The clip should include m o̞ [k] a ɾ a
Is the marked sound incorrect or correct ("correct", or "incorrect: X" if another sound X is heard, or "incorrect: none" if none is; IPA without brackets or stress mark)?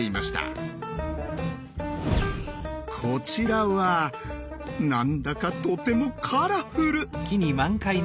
incorrect: kʰ